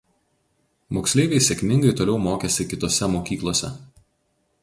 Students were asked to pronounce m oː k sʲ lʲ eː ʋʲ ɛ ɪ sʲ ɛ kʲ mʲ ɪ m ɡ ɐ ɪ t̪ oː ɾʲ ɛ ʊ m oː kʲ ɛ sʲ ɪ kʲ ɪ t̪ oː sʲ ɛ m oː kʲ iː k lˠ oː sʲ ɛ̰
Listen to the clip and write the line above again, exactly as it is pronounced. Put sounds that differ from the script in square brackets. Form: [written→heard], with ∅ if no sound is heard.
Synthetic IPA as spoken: m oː k sʲ lʲ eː ʋʲ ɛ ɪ sʲ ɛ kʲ mʲ ɪ [m→ŋ] ɡ ɐ ɪ t̪ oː [ɾʲ→lʲ] ɛ ʊ m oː kʲ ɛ sʲ ɪ kʲ ɪ t̪ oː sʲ ɛ m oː kʲ iː k lˠ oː sʲ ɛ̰